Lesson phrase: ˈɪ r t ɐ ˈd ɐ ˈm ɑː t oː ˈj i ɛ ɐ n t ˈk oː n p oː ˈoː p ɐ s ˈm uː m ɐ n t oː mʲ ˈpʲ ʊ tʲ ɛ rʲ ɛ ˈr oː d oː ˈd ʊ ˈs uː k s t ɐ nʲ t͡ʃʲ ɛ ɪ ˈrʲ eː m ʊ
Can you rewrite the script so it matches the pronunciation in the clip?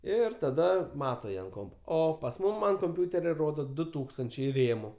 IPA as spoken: ˈɪ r t ɐ ˈd ɐ ˈm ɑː t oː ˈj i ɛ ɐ n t ˈk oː m p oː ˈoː p ɐ s ˈm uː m ɐ n k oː mʲ ˈpʲ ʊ tʲ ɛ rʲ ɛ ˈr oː d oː ˈd ʊ ˈt uː k s t ɐ nʲ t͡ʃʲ ɛ ɪ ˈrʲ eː m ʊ